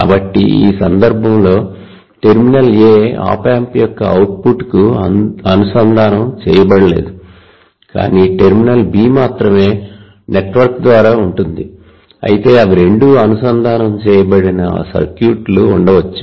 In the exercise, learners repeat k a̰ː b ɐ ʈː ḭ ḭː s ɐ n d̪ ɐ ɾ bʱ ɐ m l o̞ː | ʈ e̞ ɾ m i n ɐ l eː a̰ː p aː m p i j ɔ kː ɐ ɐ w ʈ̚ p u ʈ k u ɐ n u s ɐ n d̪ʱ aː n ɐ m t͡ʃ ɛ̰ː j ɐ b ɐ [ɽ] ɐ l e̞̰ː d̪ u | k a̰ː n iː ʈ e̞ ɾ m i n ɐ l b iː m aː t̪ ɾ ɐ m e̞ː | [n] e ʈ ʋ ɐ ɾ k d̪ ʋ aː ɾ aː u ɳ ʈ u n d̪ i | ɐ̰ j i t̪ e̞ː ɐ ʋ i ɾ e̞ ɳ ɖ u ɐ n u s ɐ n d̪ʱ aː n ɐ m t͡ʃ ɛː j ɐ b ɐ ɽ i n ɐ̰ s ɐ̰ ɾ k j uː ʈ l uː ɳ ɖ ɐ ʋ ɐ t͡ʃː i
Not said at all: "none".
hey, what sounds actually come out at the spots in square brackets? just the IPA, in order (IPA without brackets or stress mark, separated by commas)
ɽ, n